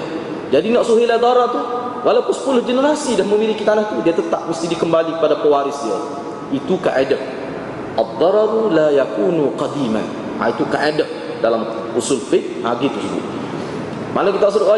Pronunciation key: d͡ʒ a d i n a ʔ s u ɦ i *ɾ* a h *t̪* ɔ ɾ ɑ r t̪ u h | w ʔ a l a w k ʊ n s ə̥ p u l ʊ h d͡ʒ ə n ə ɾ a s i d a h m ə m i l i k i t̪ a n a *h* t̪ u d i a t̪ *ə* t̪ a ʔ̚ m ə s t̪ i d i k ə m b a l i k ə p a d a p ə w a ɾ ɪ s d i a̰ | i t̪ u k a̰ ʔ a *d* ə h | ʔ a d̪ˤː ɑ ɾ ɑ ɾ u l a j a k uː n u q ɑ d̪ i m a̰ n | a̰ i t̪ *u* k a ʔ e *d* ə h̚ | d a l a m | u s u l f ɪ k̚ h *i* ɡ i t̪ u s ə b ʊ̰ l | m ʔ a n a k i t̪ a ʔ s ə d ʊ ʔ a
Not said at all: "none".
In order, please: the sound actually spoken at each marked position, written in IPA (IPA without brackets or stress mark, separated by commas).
l, d̪, h, ə, d, u, d, a